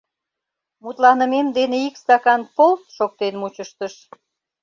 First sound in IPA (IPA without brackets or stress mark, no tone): m